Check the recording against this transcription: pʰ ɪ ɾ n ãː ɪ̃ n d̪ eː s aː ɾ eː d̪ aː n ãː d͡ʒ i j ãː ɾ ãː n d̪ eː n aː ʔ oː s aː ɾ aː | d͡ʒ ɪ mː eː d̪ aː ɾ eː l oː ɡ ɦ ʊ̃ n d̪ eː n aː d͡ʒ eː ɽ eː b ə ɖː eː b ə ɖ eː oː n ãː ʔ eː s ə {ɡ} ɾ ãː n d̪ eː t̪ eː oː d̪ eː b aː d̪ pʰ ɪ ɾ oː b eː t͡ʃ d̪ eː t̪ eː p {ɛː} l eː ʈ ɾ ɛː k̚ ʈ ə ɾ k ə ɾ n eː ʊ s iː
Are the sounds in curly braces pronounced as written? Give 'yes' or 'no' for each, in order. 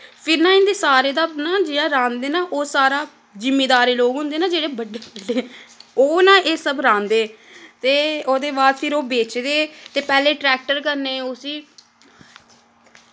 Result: no, yes

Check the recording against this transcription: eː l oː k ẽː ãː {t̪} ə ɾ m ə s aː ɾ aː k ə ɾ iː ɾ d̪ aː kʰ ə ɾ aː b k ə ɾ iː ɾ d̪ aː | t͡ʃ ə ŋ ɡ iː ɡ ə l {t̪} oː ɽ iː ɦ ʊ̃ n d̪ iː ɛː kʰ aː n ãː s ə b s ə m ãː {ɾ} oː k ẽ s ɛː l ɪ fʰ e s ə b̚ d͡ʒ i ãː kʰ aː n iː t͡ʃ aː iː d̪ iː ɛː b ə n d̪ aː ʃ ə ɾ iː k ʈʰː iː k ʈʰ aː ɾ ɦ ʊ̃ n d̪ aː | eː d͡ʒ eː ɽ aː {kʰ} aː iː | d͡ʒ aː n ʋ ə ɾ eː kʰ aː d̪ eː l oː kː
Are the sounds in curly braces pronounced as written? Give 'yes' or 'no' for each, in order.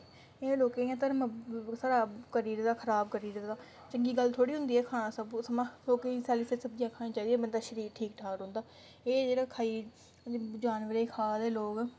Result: yes, no, no, yes

